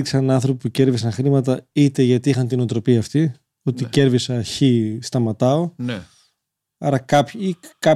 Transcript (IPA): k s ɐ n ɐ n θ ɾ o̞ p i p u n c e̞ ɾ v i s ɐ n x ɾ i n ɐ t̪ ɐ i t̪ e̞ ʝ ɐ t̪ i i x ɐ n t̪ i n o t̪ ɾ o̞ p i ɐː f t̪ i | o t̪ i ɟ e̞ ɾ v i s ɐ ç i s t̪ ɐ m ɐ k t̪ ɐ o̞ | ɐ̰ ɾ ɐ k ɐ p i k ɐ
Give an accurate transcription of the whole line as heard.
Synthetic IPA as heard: k s ɐ n ɐ n θ ɾ o̞ p i p u c e̞ ɾ v i s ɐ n x ɾ i m ɐ t̪ ɐ i t̪ e̞ ʝ ɐ t̪ i i x ɐ n t̪ i n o t̪ ɾ o̞ p i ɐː f t̪ i | o t̪ i c e̞ ɾ v i s ɐ ç i s t̪ ɐ m ɐ t̪ ɐ o̞ | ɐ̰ ɾ ɐ k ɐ p i k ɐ